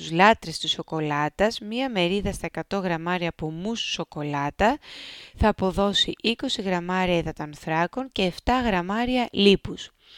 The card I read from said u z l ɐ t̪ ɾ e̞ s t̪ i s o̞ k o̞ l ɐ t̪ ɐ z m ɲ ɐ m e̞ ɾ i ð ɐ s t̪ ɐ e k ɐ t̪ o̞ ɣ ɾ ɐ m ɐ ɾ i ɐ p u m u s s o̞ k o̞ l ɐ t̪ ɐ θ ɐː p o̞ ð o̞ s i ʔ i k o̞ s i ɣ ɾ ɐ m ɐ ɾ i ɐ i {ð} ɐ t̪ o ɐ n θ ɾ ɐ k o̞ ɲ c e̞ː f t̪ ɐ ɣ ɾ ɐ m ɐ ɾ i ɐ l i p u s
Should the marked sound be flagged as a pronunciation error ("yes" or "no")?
no